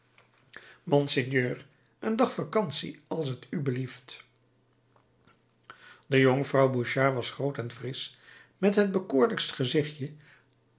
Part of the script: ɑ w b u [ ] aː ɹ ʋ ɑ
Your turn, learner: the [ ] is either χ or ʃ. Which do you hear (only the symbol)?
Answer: ʃ